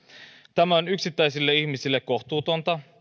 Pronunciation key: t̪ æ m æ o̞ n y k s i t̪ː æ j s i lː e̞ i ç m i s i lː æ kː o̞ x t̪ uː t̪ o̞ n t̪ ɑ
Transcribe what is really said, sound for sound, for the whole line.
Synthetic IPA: t̪ æ m æ o̞ n y k s i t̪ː æ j s i lː e̞ i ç m i s i lː e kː o̞ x t̪ uː t̪ o̞ n t̪ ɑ